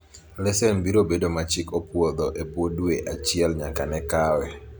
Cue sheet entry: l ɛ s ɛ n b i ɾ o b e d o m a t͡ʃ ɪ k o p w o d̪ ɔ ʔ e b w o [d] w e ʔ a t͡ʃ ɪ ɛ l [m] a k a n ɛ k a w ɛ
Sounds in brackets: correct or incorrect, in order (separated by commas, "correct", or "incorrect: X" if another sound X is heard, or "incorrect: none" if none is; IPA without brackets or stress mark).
correct, incorrect: ɲ